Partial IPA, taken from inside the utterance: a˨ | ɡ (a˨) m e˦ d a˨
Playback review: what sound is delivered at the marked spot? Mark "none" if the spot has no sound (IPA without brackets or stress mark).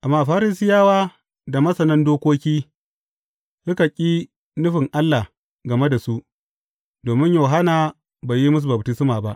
ɐ˨